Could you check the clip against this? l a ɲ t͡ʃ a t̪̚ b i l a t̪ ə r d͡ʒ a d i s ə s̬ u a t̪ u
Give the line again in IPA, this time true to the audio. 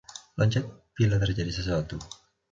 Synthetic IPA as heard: l a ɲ t͡ʃ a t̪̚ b i l a t̪ ə r d͡ʒ a d i s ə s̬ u a t̪ u